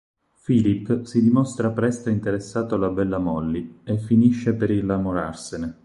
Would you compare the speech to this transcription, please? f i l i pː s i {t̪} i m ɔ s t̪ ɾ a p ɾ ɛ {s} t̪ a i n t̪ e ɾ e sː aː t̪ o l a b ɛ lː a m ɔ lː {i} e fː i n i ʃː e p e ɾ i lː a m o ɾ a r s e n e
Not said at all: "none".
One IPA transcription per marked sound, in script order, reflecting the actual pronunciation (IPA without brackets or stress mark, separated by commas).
d̪, s, i